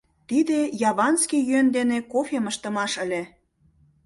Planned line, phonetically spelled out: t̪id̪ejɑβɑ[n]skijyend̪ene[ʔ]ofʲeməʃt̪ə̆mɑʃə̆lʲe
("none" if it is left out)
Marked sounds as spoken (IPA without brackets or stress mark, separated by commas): n, k